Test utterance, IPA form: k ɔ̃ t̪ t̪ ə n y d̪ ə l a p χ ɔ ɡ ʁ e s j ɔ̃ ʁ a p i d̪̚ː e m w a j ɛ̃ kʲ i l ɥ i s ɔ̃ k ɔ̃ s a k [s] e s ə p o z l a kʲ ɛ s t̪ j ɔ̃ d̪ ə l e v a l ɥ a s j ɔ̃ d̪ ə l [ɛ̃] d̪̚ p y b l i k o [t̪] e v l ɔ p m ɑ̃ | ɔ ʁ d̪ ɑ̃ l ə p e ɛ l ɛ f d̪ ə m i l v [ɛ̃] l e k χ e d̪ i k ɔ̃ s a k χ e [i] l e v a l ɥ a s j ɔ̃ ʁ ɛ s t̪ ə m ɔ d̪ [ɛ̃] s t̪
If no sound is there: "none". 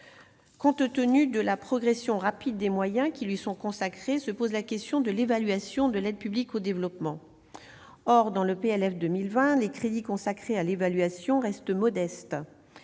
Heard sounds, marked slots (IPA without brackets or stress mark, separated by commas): χ, ɛ, d̪, ɛ̃, a, ɛ